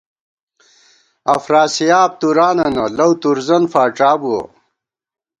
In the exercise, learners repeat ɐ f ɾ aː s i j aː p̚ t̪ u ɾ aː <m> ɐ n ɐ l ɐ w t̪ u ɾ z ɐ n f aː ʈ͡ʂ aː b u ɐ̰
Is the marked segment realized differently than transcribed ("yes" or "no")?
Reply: yes